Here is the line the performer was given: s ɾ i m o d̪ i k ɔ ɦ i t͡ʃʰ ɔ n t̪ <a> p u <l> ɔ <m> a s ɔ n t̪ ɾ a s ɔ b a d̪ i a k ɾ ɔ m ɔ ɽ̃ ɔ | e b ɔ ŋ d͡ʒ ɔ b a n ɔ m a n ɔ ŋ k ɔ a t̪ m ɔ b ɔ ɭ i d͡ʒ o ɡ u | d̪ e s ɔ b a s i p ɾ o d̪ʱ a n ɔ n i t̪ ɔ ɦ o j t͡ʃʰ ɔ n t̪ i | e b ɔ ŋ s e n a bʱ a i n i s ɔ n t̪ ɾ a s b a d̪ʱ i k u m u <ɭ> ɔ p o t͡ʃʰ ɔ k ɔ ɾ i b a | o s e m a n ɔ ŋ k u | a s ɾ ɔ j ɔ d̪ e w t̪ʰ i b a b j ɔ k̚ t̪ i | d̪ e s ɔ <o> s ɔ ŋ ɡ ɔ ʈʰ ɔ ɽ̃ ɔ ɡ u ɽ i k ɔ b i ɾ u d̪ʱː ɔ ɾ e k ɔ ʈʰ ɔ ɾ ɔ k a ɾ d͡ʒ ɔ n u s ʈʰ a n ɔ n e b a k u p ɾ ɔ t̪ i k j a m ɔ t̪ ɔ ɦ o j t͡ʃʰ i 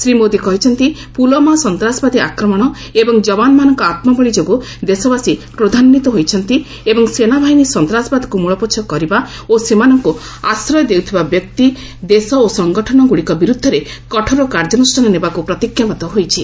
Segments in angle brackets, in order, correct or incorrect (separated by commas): incorrect, correct, correct, correct, correct